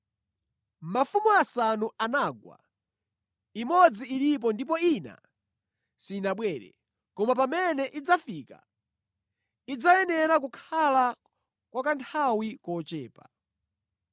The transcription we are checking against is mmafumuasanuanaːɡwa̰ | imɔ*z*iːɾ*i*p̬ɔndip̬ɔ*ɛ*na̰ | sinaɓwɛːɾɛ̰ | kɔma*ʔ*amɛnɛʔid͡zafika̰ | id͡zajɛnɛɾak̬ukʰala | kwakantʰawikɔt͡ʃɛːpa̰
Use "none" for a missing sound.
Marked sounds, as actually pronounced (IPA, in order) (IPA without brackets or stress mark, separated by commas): d͡z, i, i, p